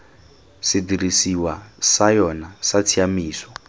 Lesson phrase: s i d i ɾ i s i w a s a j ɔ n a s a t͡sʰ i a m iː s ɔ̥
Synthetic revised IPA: s i d i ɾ i s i w a s a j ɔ n a s a t͡sʰ i a m iː s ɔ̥